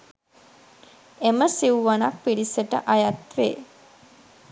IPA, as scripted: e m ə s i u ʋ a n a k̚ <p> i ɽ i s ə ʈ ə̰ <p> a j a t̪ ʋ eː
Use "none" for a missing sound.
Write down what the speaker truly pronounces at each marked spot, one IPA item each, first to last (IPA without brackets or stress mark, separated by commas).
p, ʔ